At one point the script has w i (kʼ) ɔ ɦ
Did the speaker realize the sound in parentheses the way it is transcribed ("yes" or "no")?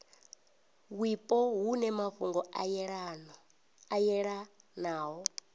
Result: no